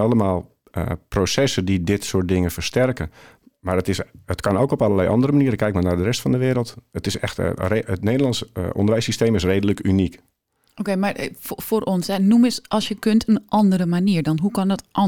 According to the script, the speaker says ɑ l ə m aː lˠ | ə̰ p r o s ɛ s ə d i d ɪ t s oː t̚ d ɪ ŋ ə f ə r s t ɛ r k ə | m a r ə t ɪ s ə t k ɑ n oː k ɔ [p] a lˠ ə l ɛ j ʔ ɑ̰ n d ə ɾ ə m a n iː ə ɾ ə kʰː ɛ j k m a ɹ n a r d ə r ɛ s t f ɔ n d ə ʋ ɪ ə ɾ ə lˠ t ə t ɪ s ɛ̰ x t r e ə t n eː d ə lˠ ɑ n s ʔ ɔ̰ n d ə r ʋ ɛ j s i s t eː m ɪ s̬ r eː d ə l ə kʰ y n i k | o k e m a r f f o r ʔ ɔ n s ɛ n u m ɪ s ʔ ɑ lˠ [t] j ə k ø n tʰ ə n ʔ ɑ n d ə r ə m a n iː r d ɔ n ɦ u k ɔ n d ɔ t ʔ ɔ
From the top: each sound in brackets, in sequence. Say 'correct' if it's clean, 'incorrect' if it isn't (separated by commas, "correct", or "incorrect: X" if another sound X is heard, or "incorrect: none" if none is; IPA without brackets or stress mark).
correct, incorrect: s